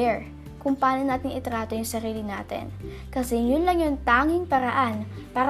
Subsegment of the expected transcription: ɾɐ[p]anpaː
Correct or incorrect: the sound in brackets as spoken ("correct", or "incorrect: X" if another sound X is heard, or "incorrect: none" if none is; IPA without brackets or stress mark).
incorrect: ʔ